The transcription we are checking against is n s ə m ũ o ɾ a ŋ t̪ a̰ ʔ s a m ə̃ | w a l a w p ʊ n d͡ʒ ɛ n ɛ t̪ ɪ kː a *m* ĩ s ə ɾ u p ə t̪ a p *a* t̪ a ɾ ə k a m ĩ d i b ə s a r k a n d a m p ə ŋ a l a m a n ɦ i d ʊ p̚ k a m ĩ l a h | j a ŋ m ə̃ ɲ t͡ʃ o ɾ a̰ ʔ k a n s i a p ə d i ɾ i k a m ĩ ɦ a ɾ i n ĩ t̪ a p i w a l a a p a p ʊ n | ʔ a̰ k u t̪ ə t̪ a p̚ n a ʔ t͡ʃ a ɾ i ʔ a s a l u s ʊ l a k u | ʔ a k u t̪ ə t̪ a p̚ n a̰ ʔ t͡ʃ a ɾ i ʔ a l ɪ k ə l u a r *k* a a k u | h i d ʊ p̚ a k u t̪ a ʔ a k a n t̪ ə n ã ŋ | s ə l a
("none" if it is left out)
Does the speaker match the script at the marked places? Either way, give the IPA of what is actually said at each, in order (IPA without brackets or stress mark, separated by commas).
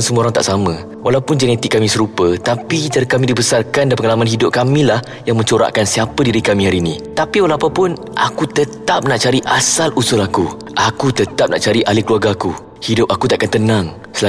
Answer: m, i, ɡ